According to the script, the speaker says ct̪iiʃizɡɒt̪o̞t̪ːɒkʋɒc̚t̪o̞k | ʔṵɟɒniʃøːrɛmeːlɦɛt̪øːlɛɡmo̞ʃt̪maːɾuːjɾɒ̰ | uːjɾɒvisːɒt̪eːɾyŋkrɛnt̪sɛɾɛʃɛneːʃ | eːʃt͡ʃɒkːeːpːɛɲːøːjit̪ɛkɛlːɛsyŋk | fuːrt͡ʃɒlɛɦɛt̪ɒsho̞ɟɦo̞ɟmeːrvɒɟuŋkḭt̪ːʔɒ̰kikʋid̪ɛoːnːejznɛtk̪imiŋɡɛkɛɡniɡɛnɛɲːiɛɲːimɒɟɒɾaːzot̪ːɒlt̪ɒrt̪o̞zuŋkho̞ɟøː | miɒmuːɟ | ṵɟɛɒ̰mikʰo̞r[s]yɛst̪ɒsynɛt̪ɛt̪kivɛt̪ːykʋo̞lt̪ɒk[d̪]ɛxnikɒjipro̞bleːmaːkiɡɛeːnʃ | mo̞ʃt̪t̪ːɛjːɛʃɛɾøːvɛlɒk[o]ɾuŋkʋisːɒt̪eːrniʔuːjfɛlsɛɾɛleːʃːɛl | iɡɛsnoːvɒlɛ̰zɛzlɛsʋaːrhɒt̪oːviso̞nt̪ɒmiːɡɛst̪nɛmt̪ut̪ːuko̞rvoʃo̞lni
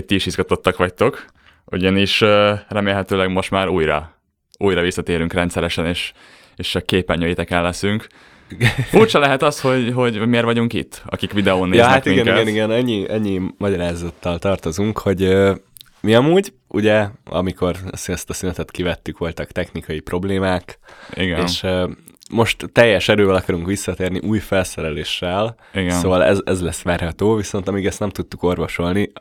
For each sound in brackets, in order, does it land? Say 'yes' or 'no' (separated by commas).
yes, no, no